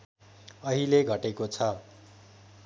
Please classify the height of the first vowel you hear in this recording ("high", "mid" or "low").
mid